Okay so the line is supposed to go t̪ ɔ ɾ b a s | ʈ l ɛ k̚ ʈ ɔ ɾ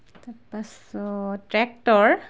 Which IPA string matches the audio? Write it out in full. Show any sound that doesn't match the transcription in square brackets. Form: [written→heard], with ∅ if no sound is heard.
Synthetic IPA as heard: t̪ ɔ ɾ [b→p] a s | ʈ [l→ɾ] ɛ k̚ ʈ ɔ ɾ